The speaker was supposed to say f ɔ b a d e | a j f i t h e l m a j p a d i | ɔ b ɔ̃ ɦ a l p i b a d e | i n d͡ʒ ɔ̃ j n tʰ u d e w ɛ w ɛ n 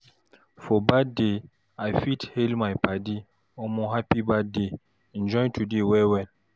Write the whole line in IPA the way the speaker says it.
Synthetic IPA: f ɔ b a d e | a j f i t h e l m a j p a d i | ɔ m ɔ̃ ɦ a p i b a d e | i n d͡ʒ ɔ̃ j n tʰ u d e w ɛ w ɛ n